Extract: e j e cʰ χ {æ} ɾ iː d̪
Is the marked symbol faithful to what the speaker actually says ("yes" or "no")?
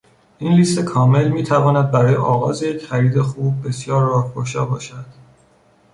yes